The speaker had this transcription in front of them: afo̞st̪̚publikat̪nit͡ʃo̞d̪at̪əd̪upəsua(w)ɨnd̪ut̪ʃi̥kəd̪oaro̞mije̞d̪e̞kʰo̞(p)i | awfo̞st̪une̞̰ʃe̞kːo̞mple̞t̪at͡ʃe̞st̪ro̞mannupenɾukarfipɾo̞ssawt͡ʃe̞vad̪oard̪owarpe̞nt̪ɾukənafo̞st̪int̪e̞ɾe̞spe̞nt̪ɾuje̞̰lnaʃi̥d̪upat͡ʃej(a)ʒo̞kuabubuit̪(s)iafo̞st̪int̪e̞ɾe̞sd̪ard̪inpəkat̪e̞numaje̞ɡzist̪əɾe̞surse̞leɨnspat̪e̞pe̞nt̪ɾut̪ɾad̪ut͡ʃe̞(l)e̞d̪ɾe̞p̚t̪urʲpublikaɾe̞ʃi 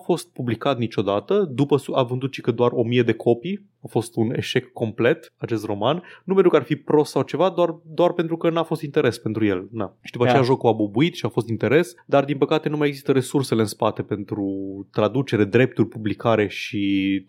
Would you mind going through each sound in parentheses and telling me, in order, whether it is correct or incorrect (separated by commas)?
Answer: incorrect, correct, correct, incorrect, incorrect